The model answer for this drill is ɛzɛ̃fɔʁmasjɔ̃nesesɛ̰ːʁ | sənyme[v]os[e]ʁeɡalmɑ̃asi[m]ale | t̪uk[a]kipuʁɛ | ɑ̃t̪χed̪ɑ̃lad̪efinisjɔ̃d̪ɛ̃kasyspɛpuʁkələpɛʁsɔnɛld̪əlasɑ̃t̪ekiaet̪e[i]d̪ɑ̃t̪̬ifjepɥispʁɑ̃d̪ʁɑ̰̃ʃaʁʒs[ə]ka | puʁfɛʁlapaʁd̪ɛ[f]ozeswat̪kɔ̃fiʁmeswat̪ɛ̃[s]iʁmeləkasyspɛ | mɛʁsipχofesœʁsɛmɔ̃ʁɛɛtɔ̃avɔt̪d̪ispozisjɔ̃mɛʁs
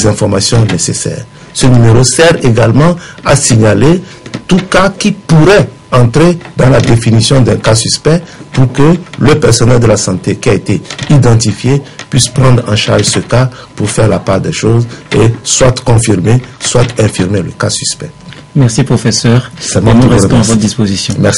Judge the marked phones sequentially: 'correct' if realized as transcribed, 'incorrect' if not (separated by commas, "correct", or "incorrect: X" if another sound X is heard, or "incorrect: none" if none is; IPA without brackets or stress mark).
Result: incorrect: ʁ, incorrect: ɛ, incorrect: ɲ, correct, correct, correct, incorrect: ʃ, incorrect: f